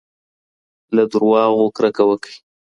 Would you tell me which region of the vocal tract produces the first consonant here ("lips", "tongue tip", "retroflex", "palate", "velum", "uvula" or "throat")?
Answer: tongue tip